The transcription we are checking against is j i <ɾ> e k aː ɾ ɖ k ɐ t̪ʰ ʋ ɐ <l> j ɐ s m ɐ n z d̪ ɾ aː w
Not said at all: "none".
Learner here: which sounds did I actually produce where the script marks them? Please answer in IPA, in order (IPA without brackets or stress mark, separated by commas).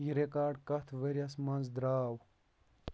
ɾ, ɾ